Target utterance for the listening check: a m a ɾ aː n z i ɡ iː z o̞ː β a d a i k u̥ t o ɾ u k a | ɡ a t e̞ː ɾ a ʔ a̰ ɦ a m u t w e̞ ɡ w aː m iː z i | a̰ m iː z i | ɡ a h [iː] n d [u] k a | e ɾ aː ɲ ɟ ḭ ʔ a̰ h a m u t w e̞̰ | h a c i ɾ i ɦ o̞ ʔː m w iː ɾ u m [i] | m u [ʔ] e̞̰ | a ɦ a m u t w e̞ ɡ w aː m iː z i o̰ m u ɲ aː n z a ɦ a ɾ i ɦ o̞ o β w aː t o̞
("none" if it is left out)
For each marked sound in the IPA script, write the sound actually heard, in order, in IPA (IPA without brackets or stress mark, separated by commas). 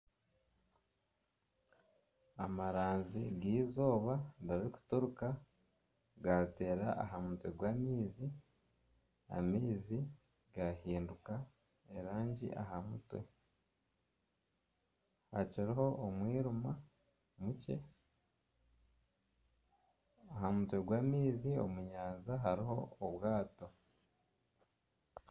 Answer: iː, u, a, c